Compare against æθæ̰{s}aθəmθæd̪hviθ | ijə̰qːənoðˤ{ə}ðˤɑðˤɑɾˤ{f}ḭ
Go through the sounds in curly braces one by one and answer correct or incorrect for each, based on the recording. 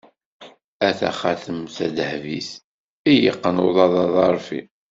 incorrect, incorrect, correct

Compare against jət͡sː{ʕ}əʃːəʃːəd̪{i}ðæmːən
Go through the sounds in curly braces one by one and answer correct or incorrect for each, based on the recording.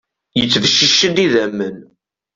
incorrect, correct

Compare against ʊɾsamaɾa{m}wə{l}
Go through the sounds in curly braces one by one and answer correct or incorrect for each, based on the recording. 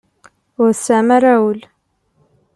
incorrect, correct

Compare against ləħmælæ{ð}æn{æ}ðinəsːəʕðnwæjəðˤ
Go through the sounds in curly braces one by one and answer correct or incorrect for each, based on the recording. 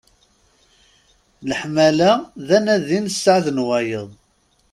correct, correct

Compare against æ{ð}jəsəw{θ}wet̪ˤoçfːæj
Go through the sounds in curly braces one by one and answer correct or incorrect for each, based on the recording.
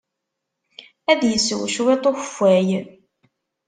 correct, incorrect

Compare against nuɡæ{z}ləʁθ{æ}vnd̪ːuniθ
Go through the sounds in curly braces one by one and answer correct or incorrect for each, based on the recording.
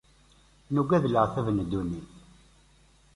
incorrect, correct

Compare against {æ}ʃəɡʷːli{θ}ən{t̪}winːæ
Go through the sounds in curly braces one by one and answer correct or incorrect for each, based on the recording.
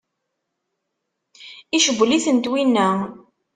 incorrect, correct, correct

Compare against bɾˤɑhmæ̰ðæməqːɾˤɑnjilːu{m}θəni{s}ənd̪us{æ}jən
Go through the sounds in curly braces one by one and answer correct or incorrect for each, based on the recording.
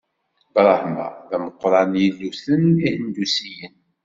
incorrect, incorrect, incorrect

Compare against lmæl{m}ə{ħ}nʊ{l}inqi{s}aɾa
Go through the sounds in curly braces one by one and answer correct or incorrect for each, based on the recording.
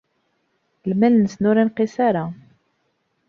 incorrect, incorrect, incorrect, correct

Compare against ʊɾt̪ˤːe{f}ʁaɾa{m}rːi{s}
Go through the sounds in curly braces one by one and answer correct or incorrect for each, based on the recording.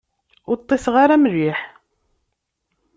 incorrect, correct, incorrect

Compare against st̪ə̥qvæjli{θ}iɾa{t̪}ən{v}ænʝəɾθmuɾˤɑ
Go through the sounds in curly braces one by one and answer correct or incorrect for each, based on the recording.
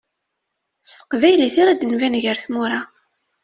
correct, incorrect, correct

